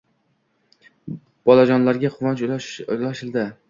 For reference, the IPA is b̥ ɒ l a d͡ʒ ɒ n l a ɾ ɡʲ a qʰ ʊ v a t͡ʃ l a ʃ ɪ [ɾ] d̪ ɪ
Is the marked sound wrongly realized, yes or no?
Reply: yes